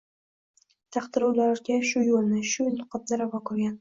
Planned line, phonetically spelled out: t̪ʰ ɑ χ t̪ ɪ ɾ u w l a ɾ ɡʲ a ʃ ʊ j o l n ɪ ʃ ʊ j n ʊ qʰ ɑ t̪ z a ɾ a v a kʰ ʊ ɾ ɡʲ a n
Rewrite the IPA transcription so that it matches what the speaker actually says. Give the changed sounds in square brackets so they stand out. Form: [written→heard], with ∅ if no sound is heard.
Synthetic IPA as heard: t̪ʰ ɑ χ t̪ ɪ ɾ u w l a ɾ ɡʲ a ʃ ʊ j o l n ɪ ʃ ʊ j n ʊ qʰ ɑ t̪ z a ɾ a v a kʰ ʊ ɾ ɡʲ a n